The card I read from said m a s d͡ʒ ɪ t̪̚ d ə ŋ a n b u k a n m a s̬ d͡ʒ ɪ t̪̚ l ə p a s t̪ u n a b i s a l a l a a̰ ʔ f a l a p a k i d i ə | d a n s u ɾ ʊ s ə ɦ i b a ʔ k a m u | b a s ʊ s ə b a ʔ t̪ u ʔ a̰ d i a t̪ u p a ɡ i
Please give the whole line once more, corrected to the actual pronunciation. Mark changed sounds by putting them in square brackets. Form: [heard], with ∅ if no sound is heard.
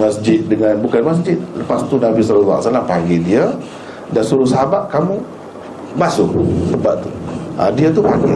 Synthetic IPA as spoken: m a s d͡ʒ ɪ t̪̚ d ə ŋ a n b u k a n m a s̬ d͡ʒ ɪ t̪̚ l ə p a s t̪ u n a b i s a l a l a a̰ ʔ [s] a l a p a [ɡ] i d i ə | d a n s u ɾ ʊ s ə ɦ [a] b a ʔ k a m u | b a s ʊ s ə b a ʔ t̪ u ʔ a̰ d i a t̪ u p a ɡ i